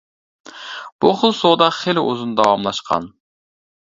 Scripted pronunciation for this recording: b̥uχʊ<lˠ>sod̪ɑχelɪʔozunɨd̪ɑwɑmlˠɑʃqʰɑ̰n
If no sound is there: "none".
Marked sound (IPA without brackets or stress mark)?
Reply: lˠ